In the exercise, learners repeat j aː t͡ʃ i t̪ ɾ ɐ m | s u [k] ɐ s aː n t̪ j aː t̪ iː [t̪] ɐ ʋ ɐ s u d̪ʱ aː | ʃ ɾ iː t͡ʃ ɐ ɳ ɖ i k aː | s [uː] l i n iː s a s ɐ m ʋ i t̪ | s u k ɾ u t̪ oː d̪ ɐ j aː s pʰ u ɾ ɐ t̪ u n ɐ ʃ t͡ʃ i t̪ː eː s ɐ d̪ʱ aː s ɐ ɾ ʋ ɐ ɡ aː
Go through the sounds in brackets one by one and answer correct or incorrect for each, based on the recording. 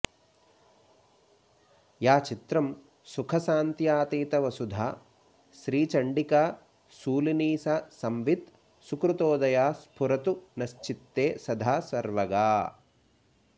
incorrect: kʰ, correct, correct

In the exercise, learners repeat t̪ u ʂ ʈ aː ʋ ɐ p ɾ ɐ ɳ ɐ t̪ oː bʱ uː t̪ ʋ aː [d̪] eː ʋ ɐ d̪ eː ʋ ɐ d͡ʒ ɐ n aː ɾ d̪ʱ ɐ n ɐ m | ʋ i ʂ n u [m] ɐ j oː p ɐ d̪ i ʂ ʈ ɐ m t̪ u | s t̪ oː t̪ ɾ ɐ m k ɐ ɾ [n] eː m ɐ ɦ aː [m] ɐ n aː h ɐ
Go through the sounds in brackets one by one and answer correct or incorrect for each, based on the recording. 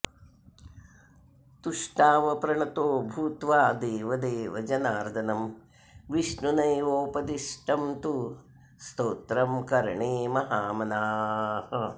correct, incorrect: n, incorrect: ɳ, correct

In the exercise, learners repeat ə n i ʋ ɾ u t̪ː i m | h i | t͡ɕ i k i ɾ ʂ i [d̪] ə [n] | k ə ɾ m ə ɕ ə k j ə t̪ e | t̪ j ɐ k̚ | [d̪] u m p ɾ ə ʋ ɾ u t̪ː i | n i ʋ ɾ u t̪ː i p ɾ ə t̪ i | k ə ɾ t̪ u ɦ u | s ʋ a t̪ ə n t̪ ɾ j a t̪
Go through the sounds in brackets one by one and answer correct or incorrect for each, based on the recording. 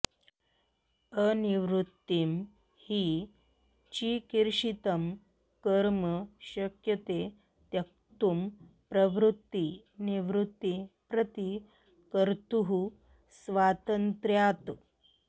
incorrect: t̪, incorrect: m, incorrect: t̪

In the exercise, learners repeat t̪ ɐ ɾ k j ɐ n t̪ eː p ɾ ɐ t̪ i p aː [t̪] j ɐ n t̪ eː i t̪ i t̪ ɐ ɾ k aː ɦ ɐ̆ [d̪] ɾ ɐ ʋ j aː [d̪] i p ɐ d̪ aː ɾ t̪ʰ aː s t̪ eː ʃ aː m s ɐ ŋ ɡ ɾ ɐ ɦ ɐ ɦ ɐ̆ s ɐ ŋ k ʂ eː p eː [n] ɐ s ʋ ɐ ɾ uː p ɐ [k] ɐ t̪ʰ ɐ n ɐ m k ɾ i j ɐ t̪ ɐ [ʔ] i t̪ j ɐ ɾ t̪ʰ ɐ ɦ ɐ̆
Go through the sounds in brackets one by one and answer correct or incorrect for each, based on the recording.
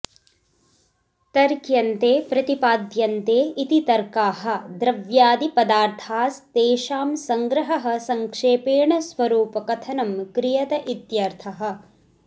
incorrect: d̪, correct, correct, incorrect: ɳ, correct, correct

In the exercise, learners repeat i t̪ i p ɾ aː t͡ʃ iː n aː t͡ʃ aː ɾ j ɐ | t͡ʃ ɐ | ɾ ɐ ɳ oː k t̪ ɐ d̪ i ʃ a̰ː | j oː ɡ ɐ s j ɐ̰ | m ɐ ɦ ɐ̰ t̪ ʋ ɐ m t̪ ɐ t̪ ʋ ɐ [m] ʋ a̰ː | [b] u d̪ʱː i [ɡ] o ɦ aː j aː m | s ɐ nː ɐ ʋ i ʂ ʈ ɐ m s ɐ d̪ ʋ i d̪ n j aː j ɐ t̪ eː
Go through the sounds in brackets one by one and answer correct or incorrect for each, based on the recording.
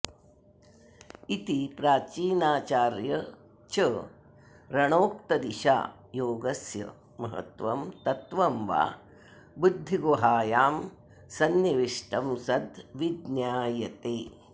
correct, correct, correct

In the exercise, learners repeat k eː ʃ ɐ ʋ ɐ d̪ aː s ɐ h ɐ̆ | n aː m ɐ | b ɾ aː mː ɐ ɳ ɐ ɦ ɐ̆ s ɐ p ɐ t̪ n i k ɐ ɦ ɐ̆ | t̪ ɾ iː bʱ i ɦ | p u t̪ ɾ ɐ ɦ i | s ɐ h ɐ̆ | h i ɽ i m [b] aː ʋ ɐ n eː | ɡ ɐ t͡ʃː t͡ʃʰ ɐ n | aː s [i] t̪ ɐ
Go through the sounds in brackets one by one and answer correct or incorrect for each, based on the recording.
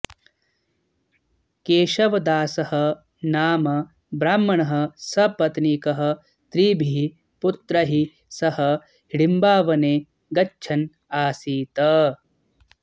correct, incorrect: iː

